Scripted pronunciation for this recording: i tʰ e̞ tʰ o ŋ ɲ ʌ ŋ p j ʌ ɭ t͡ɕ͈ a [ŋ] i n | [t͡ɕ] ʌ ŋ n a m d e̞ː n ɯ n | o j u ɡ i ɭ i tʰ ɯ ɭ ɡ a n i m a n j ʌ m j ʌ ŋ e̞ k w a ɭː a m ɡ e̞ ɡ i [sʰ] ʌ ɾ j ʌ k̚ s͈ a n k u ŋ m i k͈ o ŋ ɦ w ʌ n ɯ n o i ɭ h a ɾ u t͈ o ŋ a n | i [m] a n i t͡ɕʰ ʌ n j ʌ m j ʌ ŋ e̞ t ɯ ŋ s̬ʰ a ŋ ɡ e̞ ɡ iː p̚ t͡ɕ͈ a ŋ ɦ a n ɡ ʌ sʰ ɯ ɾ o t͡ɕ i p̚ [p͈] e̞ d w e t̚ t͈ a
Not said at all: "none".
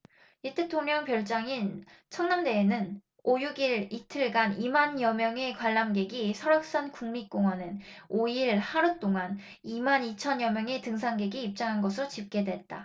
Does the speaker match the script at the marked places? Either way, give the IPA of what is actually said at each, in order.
ŋ, t͡ɕʰ, sʰ, m, k͈

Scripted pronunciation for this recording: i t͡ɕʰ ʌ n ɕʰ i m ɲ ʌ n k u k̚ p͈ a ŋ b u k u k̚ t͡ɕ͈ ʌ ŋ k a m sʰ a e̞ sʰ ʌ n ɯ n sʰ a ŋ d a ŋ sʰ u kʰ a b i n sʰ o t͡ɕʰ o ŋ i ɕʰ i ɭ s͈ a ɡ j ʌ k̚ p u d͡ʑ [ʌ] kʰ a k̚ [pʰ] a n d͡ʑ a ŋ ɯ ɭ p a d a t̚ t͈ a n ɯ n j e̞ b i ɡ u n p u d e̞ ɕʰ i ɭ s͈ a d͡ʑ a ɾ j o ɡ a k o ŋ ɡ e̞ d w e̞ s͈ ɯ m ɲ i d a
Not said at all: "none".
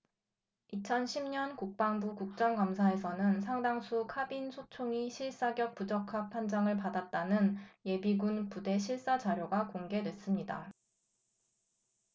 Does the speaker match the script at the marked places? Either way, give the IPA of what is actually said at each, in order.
ʌ, pʰ

